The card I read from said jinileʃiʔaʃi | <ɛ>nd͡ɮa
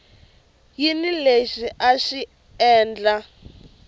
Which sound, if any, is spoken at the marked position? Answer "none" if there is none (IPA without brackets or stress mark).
ɛː